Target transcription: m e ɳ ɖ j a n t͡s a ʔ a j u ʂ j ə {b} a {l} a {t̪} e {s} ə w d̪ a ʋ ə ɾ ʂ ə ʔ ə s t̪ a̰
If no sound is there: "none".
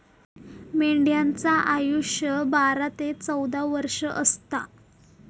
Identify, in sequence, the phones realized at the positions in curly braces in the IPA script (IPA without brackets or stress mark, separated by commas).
b, ɾ, t̪, t͡s